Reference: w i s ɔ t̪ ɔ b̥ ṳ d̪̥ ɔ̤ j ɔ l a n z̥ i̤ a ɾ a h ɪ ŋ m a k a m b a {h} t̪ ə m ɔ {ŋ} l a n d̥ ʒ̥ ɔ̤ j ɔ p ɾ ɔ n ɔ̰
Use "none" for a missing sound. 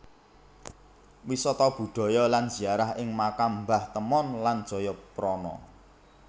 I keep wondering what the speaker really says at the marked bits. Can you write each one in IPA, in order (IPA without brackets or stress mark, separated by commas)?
h, n